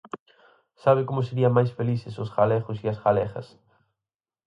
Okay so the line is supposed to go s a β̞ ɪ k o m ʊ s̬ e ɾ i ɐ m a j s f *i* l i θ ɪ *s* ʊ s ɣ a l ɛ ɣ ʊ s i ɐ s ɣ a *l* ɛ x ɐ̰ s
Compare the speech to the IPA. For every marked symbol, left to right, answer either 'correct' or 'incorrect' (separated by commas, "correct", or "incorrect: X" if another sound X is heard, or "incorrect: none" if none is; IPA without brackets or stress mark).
incorrect: e, correct, correct